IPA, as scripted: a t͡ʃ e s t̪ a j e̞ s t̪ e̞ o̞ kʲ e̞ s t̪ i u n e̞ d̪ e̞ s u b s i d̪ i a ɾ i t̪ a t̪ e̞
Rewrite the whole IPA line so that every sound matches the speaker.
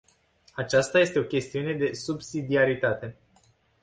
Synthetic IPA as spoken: a t͡ʃ a s t̪ a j e̞ s t̪ e̞ o̞ kʲ e̞ s t̪ i u n e̞ d̪ e̞ s u b s i d̪ i a ɾ i t̪ a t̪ e̞